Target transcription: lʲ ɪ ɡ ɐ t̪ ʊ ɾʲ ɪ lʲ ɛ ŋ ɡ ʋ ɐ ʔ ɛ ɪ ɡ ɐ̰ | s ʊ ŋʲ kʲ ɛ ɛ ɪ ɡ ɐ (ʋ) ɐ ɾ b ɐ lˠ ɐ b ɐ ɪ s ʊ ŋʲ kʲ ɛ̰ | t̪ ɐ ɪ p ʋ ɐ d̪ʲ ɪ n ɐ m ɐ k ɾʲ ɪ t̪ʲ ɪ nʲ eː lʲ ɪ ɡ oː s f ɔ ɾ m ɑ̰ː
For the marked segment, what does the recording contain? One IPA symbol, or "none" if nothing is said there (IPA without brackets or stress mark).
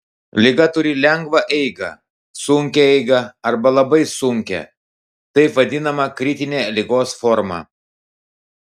none